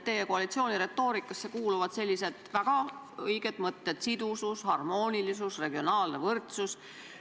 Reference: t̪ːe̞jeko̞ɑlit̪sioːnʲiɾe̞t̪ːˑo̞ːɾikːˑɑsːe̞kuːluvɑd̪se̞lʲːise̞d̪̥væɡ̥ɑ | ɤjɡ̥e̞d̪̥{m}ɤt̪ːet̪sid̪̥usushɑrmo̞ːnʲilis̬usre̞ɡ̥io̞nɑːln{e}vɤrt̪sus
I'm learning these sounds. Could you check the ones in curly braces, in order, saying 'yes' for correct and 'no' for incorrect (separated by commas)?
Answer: yes, yes